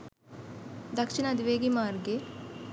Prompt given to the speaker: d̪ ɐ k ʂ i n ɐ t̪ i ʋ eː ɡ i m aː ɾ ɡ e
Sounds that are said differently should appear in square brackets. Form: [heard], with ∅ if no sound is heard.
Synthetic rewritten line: d̪ ɐ k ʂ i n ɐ [d̪] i ʋ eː ɡ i m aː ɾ ɡ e